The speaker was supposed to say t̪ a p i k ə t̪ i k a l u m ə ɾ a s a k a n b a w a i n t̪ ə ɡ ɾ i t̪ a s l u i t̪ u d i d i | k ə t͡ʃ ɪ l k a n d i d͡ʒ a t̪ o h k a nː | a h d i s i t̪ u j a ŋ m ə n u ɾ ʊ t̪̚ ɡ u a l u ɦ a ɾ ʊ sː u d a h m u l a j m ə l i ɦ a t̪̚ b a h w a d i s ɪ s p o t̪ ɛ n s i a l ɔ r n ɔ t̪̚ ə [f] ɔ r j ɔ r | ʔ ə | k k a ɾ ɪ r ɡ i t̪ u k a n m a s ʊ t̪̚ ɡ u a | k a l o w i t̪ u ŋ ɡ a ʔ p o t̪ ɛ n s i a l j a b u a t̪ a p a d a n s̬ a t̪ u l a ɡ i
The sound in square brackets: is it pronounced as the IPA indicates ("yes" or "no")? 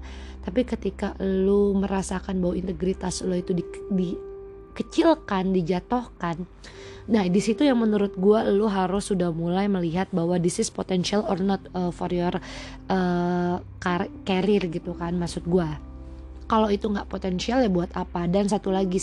yes